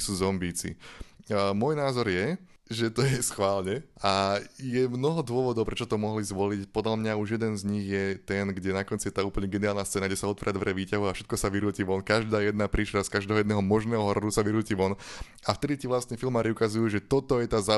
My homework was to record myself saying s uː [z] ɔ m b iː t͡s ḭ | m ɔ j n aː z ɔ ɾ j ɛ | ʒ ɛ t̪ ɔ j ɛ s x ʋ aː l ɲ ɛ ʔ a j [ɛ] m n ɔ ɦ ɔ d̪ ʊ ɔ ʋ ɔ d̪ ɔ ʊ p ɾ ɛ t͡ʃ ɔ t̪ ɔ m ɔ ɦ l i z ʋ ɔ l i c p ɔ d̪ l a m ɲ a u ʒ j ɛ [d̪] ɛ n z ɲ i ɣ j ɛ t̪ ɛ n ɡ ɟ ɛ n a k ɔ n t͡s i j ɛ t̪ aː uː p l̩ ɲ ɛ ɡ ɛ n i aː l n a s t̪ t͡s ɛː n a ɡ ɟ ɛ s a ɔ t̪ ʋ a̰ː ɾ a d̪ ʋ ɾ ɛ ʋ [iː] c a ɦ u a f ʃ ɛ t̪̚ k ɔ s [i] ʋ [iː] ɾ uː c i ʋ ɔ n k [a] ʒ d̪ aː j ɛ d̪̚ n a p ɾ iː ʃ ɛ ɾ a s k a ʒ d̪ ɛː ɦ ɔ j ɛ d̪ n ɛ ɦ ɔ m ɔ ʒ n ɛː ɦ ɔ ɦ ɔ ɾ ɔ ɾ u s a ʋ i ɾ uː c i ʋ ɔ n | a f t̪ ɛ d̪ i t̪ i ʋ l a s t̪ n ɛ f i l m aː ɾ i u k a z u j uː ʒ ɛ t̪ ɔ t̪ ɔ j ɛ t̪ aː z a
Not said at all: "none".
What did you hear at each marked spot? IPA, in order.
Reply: z, ɛ, d̪, iː, a, i, a

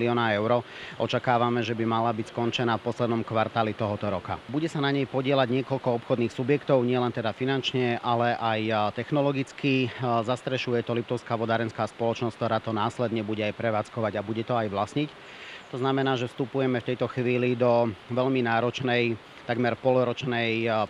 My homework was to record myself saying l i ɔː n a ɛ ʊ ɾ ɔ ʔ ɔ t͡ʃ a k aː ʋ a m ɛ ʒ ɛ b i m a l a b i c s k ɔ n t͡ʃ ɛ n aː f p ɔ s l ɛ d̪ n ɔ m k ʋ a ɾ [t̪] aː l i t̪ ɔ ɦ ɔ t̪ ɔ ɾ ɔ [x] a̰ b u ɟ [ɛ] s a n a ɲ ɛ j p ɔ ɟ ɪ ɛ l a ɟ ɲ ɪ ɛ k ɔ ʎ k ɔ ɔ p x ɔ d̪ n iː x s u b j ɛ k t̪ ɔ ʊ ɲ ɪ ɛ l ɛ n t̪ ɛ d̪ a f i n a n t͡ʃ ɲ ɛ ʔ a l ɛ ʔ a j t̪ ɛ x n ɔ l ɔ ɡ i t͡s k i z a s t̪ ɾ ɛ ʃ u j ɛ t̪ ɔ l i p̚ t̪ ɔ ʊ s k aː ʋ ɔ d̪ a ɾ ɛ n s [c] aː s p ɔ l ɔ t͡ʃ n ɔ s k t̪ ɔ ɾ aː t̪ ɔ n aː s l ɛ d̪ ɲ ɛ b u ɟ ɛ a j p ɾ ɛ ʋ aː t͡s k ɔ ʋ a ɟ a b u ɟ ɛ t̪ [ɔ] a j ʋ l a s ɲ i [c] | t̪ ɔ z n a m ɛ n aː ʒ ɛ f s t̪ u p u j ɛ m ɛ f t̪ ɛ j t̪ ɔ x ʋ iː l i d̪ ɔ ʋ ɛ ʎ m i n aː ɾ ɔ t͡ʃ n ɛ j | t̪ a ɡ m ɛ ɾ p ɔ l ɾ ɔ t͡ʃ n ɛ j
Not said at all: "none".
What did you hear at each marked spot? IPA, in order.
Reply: t̪, k, ɛ, k, ɔ, c

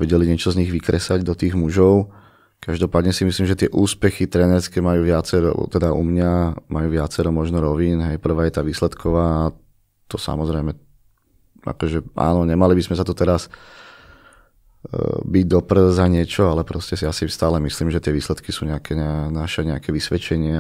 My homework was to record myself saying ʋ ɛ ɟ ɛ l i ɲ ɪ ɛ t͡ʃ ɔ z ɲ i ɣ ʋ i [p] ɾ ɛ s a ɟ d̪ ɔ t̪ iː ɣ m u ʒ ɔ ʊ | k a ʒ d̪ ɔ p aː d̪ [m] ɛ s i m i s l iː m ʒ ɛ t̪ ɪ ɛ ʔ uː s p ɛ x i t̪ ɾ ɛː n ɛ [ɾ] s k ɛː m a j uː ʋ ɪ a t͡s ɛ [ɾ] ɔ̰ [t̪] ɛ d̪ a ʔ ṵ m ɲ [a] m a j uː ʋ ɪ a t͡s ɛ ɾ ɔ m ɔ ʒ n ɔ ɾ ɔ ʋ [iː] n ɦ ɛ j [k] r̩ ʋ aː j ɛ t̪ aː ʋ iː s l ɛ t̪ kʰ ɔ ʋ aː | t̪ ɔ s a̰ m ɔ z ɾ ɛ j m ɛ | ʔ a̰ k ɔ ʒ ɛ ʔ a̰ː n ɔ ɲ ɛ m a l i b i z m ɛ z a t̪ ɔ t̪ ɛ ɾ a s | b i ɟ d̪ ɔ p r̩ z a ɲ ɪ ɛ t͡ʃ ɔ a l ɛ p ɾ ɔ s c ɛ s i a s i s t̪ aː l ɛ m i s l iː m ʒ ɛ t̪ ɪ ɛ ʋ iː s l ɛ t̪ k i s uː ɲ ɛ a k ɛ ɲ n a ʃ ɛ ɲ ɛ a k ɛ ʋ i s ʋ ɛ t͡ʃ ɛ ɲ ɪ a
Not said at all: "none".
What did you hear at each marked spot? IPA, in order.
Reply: k, ɲ, ɾ, ɾ, t̪, a, iː, p

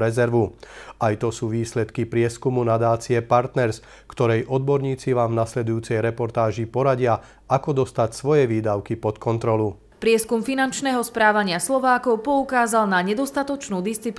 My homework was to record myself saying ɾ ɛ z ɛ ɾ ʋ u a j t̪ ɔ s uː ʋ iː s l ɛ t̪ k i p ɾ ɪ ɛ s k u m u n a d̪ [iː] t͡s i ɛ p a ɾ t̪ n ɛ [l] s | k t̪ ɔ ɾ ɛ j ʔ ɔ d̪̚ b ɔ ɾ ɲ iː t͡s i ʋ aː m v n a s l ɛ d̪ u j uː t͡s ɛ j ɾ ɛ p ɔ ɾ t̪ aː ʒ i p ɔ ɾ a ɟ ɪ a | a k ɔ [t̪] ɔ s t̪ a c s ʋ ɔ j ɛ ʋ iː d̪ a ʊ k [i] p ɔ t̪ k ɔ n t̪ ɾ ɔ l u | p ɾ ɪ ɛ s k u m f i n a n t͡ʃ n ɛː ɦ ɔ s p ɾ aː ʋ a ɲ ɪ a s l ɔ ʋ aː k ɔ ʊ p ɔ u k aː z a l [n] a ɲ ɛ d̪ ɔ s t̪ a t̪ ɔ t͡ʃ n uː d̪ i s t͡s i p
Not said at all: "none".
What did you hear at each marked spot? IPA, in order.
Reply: aː, ɾ, d̪, i, n

